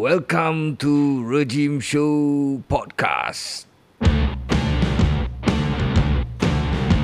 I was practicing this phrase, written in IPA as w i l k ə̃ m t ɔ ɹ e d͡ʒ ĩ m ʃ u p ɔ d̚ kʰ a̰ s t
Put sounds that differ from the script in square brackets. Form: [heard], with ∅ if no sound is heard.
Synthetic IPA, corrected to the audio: w [ɛ] l k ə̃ m t [u] ɹ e d͡ʒ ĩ m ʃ [o] p ɔ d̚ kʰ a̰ s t